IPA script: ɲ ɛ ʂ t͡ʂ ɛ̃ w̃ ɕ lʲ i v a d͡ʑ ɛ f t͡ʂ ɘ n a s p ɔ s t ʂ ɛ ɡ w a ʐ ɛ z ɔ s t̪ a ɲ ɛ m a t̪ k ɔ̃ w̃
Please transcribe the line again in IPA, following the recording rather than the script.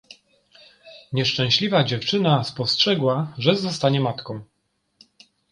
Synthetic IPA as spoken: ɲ ɛ ʂ t͡ʂ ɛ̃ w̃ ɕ lʲ i v a d͡ʑ ɛ f t͡ʂ ɘ n a s p ɔ s t ʂ ɛ ɡ w a ʐ ɛ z ɔ s t̪ a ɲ ɛ m a t̪ k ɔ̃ w̃